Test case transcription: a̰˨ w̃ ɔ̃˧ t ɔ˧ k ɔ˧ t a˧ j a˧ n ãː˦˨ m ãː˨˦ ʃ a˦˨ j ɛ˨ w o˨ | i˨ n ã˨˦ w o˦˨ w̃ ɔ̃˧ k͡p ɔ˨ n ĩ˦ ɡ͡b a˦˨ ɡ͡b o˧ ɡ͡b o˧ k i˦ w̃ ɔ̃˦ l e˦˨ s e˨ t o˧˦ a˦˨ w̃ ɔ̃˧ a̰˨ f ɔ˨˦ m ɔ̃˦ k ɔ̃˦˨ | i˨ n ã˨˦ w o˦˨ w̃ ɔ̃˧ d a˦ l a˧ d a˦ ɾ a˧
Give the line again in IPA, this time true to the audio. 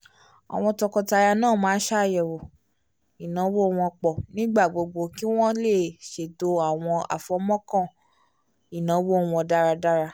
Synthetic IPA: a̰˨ w̃ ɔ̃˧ t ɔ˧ k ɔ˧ t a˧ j a˧ n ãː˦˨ m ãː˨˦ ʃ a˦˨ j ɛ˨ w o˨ | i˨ n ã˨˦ w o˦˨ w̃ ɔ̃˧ k͡p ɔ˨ n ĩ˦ ɡ͡b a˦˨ ɡ͡b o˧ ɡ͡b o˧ k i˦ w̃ ɔ̃˦ l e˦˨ ʃ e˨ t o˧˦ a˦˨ w̃ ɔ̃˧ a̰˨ f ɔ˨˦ m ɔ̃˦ k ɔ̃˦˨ | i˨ n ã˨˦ w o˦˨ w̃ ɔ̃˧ d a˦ ɾ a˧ d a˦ ɾ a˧